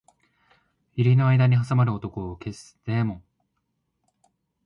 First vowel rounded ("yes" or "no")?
no